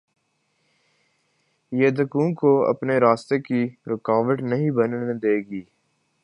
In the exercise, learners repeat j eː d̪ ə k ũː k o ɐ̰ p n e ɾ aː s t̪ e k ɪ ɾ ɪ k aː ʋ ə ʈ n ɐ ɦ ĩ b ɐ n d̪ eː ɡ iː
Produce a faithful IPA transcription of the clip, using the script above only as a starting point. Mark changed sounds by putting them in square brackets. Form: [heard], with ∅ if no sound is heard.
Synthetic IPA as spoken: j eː d̪ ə k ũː k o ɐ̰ p n e ɾ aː s t̪ e k [i] ɾ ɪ k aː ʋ ə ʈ n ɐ ɦ ĩ b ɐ n d̪ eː ɡ iː